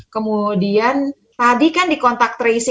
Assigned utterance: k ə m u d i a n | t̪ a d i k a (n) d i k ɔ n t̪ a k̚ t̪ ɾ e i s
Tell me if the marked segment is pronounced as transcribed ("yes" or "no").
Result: yes